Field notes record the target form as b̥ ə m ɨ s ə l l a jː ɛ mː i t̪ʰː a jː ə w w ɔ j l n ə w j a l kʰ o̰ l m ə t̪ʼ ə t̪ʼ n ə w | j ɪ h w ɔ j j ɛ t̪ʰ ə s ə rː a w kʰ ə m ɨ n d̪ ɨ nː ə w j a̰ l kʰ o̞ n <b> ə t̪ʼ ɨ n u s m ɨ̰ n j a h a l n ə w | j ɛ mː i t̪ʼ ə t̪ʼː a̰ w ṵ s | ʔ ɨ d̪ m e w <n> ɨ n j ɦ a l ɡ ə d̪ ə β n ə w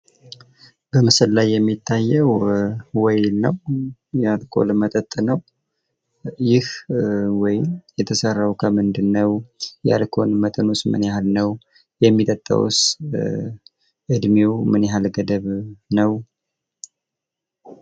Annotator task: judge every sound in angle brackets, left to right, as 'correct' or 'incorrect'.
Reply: incorrect, incorrect

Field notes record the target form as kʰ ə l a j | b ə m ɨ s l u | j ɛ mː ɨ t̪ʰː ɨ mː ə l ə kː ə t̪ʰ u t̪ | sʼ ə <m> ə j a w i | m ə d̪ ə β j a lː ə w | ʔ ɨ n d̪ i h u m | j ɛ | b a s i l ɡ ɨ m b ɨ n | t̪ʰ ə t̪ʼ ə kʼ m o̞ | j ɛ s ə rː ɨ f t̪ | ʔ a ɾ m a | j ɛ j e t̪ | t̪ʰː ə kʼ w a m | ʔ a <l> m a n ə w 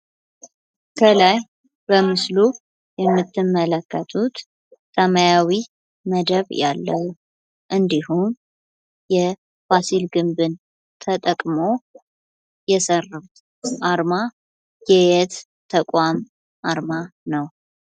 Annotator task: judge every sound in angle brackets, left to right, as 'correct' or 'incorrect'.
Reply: correct, incorrect

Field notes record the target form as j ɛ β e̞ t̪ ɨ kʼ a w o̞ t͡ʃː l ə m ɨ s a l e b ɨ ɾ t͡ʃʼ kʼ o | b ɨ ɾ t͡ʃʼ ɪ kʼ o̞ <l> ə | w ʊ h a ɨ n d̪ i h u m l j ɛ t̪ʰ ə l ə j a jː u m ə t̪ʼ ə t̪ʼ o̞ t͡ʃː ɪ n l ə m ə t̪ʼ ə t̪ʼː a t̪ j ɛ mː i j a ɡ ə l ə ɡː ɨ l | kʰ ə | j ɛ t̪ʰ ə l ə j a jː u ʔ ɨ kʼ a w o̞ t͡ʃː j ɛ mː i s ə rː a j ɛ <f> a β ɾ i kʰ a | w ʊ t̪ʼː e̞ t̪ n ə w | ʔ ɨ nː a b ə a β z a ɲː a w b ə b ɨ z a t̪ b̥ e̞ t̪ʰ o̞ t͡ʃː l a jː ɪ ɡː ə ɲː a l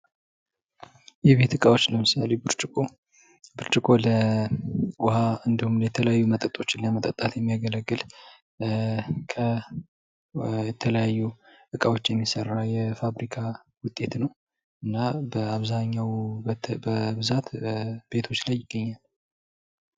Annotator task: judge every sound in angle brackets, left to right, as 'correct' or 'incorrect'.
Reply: correct, correct

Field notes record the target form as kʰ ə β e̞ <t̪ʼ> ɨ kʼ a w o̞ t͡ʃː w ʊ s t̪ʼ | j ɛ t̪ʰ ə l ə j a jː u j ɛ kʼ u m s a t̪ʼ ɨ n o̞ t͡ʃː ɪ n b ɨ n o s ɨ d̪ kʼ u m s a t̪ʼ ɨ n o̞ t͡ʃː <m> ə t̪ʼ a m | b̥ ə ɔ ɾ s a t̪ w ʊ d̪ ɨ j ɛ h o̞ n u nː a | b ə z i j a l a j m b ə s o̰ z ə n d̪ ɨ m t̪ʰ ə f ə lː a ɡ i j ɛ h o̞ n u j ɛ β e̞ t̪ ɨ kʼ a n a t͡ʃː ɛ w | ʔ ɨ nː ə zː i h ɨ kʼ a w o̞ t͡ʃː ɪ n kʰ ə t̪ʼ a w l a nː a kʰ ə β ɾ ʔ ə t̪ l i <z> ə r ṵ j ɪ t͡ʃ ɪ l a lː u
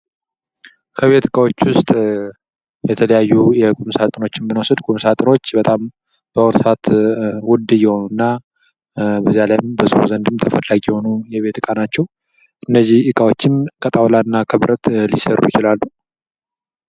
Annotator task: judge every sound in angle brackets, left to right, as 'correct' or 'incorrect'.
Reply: incorrect, incorrect, incorrect

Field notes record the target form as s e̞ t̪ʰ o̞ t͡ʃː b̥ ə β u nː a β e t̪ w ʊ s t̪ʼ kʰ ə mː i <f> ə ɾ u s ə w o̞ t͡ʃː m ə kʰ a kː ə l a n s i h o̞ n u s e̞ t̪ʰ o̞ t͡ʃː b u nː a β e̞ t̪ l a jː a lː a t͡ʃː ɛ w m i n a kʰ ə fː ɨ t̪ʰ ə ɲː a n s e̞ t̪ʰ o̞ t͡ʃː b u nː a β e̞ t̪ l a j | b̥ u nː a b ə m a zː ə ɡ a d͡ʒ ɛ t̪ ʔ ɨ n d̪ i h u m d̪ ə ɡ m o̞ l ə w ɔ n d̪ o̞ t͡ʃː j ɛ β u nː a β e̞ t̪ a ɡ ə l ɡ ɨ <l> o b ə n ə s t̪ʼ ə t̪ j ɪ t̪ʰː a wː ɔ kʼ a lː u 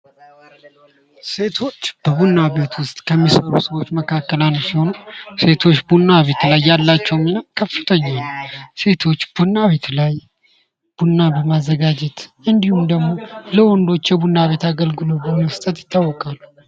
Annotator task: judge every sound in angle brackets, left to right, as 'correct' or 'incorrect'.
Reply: incorrect, correct

